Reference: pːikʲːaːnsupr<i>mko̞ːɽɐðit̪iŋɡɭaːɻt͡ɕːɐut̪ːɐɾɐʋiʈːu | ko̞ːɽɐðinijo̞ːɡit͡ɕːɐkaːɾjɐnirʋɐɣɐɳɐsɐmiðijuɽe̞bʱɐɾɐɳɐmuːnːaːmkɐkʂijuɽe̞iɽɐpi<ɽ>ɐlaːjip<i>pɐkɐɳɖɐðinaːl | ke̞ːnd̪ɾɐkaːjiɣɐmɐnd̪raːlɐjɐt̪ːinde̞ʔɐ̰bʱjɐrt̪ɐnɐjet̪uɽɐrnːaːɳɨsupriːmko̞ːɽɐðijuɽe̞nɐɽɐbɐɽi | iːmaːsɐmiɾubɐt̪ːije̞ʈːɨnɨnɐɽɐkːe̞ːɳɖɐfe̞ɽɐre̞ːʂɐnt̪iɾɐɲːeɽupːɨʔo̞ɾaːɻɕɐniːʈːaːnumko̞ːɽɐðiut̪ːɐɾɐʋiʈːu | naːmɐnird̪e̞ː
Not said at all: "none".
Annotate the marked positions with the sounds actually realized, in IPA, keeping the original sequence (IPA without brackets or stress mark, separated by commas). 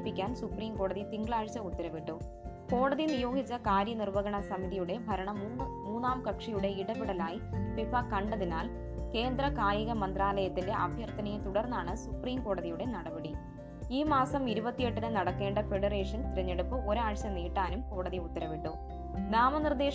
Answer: iː, ɽ, i